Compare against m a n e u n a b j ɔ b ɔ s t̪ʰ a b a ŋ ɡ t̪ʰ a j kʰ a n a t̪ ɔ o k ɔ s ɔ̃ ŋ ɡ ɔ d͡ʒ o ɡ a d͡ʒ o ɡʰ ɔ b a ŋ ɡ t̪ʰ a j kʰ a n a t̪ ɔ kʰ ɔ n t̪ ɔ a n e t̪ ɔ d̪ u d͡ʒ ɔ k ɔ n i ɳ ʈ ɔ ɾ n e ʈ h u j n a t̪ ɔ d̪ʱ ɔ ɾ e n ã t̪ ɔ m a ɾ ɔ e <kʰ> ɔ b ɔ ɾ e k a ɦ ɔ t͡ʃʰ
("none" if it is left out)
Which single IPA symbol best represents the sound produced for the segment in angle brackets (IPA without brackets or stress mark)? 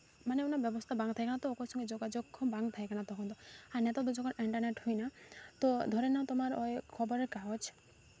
kʰ